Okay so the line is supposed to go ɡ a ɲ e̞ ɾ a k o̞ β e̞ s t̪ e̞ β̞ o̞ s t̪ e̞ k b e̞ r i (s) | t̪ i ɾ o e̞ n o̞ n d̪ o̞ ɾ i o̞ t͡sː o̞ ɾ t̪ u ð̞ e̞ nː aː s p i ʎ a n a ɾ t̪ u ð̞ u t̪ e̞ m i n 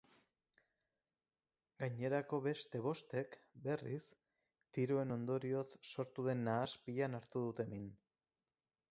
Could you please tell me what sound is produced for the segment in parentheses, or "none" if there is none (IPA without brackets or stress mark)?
s